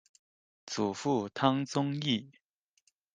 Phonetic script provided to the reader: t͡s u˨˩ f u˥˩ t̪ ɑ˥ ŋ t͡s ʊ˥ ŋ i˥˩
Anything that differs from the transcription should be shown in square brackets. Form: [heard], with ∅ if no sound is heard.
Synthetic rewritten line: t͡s u˨˩ f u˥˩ [t̪ʰ] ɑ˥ ŋ t͡s ʊ˥ ŋ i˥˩